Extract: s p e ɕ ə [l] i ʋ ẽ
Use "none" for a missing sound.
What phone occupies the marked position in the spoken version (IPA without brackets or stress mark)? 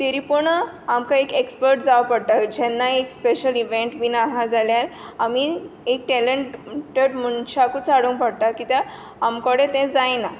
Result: l